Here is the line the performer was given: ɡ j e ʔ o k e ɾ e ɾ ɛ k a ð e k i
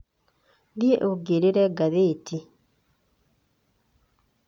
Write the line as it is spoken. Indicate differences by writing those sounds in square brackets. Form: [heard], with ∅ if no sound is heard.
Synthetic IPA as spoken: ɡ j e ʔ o [ɡ] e ɾ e ɾ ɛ [ɡ] a ð e [t] i